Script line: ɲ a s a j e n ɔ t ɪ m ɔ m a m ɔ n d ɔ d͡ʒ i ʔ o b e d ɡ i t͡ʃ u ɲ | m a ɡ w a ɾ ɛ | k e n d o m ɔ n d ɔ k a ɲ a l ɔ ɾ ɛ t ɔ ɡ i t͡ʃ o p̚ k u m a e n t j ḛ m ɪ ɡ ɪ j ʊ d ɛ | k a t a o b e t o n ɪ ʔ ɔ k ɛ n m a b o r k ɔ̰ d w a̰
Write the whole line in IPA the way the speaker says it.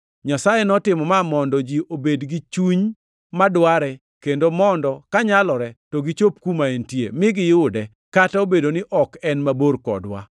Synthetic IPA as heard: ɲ a s a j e n ɔ t ɪ m ɔ m a m ɔ n d ɔ d͡ʒ i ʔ o b e d ɡ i t͡ʃ u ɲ | m a d w a ɾ ɛ | k e n d o m ɔ n d ɔ k a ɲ a l ɔ ɾ ɛ t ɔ ɡ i t͡ʃ o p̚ k u m a e n t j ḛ m ɪ ɡ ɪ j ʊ d ɛ | k a t a o b e d o n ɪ ʔ ɔ k ɛ n m a b o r k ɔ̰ d w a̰